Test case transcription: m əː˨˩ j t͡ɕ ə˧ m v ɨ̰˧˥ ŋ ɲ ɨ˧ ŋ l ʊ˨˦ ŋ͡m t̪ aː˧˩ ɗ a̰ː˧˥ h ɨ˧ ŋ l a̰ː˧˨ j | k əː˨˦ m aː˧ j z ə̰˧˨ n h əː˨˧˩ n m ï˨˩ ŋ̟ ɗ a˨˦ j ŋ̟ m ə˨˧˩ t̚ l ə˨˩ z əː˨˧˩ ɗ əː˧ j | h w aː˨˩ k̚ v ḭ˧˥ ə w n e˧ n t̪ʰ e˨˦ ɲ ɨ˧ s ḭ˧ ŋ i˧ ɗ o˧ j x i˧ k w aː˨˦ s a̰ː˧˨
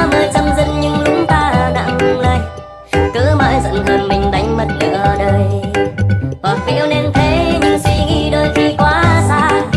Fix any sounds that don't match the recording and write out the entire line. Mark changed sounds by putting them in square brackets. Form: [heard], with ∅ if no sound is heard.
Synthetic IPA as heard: m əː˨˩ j t͡ɕ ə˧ m [z] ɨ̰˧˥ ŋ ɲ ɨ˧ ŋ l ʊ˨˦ ŋ͡m t̪ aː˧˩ ɗ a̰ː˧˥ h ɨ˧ ŋ l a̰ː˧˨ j | k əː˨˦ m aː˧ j z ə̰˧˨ n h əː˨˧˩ n m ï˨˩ ŋ̟ ɗ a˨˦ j ŋ̟ m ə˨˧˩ t̚ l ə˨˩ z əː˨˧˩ ɗ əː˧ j | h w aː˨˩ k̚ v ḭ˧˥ ə w n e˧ n t̪ʰ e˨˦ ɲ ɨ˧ s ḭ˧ ŋ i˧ ɗ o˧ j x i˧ k w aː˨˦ s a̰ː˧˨